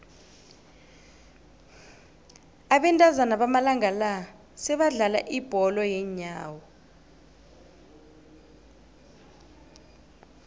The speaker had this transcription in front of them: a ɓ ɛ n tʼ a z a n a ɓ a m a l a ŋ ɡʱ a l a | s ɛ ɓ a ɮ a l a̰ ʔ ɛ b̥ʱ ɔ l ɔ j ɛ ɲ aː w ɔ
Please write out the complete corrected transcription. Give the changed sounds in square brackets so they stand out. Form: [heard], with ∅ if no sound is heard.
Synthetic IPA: a ɓ ɛ n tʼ a z a n a ɓ a m a l a ŋ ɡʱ a l a | s ɛ ɓ a ɮ a l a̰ ʔ [i] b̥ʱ ɔ l ɔ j ɛ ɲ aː w ɔ